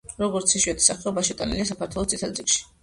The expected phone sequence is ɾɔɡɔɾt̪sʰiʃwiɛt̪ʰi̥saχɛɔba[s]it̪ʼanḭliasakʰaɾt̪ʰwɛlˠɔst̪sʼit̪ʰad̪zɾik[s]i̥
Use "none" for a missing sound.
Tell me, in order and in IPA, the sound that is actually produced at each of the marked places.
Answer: ʃ, ʃ

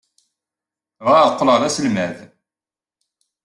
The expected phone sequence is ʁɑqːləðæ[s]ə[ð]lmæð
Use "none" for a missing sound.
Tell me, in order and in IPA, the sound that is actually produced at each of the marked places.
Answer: s, none

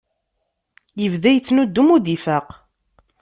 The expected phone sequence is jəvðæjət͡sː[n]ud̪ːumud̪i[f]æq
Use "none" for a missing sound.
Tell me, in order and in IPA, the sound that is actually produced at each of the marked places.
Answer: n, f

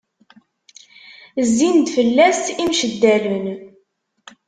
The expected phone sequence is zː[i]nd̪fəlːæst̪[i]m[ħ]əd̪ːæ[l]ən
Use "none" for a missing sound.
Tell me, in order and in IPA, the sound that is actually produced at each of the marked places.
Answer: i, i, ʃ, l

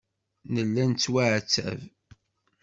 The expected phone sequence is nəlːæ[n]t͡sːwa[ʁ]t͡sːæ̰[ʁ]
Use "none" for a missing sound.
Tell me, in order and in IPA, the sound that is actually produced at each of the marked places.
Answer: n, ʕ, v

